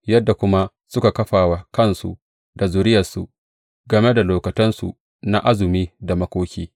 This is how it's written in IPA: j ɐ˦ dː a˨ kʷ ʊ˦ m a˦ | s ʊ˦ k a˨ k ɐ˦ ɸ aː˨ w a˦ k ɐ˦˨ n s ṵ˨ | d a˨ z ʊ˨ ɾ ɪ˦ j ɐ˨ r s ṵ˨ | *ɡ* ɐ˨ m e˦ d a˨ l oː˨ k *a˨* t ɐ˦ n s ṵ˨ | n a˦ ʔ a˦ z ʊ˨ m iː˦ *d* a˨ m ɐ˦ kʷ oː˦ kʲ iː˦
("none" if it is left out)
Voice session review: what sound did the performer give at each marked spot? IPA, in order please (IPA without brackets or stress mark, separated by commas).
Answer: ɡ, ɐ˨, d